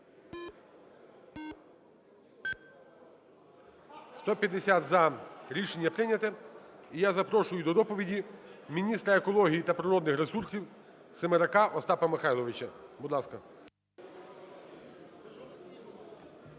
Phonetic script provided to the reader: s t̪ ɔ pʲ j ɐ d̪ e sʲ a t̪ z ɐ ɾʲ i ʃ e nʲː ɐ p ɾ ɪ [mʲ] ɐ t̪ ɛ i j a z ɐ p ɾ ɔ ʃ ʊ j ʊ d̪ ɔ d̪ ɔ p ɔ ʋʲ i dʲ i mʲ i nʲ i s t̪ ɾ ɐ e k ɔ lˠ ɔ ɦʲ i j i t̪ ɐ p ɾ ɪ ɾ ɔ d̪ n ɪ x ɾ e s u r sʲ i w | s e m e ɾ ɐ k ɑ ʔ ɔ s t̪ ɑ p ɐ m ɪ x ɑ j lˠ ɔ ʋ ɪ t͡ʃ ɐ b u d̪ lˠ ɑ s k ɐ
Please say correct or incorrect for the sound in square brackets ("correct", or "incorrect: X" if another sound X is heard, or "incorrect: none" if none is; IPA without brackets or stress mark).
incorrect: nʲ